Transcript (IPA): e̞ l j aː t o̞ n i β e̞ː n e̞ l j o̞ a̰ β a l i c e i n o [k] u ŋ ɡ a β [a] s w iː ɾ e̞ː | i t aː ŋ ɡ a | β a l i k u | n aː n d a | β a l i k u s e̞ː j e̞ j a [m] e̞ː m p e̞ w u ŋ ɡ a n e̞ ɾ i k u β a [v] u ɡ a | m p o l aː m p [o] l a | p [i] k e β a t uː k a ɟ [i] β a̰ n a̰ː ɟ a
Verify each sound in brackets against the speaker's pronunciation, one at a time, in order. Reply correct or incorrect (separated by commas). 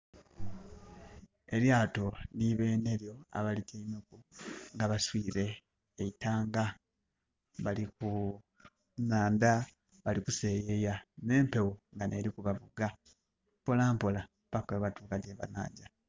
correct, correct, incorrect, incorrect, correct, incorrect, incorrect